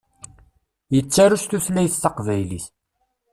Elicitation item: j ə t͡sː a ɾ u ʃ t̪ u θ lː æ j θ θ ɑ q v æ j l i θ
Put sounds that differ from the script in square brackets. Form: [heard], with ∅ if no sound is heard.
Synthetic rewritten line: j ə t͡sː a ɾ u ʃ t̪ u θ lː æ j θ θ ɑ q v æ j l i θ